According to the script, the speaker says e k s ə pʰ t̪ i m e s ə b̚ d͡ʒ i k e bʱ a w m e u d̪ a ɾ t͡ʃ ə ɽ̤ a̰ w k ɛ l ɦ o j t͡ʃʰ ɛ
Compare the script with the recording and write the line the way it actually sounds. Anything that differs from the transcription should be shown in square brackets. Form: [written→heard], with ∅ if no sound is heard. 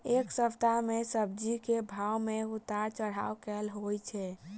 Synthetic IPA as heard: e k s ə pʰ t̪ [i→a] m e s ə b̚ d͡ʒ i k e bʱ a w m e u [d̪→t̪] a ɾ t͡ʃ ə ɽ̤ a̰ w k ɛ l ɦ o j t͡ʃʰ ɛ